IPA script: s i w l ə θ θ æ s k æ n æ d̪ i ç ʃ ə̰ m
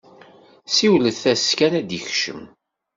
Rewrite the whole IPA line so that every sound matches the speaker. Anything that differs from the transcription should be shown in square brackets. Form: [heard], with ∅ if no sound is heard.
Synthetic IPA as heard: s i w l ə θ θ æ s k æ n æ d̪ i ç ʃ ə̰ m